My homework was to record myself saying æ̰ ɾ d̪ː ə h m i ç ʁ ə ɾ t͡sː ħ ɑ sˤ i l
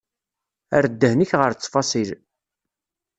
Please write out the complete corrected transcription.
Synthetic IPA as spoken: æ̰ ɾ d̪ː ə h n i ç ʁ ə ɾ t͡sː f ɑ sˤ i l